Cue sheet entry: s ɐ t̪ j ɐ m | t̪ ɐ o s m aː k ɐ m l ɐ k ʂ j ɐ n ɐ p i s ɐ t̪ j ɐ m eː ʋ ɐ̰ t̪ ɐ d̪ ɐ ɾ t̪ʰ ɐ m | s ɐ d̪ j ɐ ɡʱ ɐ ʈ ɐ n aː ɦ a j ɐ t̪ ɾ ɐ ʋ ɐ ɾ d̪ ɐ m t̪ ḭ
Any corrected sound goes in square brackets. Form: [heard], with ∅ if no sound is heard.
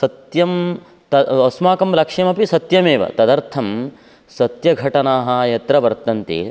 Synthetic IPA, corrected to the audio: s ɐ t̪ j ɐ m | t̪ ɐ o s m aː k ɐ m l ɐ k ʂ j ɐ [m] ɐ p i s ɐ t̪ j ɐ m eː ʋ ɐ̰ t̪ ɐ d̪ ɐ ɾ t̪ʰ ɐ m | s ɐ [t̪] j ɐ ɡʱ ɐ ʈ ɐ n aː ɦ [ɐ] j ɐ t̪ ɾ ɐ ʋ ɐ ɾ [t̪] ɐ [n] t̪ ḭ